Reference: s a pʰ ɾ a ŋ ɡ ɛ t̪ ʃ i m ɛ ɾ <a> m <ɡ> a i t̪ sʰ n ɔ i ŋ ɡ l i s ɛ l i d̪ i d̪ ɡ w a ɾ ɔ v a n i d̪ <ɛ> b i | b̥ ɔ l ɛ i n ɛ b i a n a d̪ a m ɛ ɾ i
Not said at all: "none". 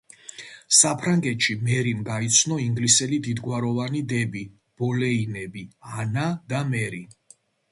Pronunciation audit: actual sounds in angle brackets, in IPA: i, ɡ, ɛ

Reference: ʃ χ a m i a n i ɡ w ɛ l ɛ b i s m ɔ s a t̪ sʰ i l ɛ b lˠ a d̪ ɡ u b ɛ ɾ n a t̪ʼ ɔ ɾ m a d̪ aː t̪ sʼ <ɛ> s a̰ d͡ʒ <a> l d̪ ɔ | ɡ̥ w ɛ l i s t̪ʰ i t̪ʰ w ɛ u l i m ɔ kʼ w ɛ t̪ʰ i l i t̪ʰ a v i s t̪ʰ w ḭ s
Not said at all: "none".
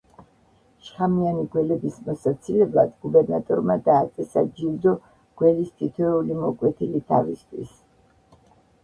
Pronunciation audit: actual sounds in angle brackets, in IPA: ɛ, i

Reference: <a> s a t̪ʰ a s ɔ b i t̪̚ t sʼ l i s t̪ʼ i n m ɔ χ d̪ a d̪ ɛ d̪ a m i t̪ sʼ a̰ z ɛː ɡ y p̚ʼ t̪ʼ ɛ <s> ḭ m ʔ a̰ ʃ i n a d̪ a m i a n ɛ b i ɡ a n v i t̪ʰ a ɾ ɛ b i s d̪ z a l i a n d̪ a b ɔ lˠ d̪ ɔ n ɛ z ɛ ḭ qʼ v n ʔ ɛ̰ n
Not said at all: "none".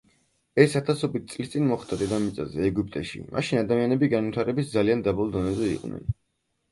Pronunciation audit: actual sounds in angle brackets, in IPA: ɛ, ʃ

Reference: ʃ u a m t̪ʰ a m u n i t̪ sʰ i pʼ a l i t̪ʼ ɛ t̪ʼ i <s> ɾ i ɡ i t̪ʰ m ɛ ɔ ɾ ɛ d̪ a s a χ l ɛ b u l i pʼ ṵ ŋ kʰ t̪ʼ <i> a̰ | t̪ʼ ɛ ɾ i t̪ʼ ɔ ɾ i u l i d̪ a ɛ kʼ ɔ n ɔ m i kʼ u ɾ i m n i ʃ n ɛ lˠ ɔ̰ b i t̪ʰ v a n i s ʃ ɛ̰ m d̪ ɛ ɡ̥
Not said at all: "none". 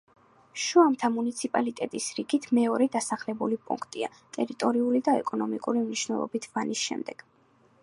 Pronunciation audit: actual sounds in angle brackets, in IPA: s, i

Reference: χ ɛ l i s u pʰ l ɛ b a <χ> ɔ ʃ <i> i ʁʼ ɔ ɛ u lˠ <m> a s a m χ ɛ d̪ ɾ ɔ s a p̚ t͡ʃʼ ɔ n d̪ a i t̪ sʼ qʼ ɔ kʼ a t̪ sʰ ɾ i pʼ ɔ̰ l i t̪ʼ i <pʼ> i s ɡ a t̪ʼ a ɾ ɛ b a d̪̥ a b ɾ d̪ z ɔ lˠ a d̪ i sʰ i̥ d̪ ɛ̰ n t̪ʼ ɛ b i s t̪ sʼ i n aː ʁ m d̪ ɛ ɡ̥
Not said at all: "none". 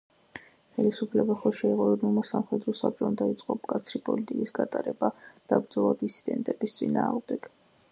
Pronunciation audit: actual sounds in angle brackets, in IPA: χ, ɛ, m, kʼ

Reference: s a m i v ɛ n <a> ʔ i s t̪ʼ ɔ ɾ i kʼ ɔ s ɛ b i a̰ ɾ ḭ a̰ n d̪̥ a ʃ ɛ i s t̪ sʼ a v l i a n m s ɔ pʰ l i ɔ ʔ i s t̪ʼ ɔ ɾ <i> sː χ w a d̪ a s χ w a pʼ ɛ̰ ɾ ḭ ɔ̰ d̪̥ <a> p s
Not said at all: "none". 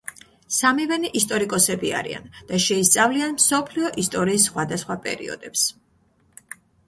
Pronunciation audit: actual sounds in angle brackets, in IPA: i, iː, ɛ

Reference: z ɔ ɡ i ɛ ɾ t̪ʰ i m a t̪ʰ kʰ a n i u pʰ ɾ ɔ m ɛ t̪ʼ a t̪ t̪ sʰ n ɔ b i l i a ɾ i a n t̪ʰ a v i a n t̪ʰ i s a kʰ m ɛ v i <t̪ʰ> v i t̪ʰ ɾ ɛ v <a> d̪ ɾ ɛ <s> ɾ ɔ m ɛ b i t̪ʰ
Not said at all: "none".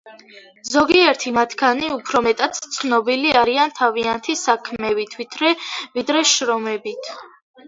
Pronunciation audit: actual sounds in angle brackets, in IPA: t̪ʰ, i, ʃ

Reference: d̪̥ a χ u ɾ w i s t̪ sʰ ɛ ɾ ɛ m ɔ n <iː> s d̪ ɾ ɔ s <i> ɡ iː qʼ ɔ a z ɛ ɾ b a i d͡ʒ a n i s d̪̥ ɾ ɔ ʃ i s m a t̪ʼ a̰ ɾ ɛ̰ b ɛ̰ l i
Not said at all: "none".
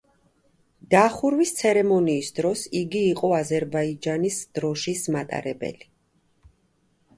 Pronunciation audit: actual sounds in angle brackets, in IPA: iː, i

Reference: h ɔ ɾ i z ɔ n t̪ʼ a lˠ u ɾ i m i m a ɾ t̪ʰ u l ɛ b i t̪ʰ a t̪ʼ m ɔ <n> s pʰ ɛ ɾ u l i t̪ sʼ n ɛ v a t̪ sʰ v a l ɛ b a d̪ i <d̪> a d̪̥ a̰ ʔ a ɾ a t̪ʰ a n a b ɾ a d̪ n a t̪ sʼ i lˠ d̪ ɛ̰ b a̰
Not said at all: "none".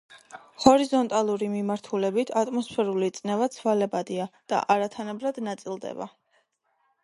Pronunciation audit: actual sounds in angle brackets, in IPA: none, none

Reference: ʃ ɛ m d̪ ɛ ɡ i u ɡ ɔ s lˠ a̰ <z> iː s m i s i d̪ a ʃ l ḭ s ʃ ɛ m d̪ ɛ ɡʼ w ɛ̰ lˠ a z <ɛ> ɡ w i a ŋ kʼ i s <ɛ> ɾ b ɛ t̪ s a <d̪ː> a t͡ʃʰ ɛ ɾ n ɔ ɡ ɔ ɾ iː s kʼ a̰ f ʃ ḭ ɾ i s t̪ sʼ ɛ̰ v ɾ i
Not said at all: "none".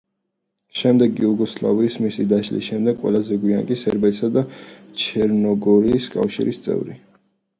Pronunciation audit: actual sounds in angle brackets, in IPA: v, ɛ, ɛ, d̪

